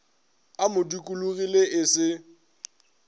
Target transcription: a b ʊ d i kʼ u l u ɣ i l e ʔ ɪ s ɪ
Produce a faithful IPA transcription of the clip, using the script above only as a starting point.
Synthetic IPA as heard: a m ʊ d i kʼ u l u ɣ i l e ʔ ɪ s ɪ